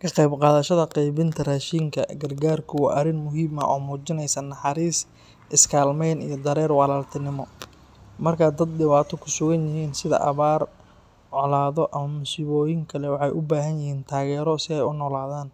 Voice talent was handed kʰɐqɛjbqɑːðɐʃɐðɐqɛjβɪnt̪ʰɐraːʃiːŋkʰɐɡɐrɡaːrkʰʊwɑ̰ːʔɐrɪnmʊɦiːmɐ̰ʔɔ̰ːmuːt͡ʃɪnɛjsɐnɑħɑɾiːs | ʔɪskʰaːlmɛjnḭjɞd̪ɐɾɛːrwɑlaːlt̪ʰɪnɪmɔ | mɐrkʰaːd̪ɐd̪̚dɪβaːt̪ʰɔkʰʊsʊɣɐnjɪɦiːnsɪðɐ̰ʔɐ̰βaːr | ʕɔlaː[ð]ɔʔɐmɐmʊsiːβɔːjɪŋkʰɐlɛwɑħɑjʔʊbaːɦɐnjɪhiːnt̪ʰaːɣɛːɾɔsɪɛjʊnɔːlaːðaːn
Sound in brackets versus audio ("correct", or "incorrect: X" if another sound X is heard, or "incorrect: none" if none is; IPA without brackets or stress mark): correct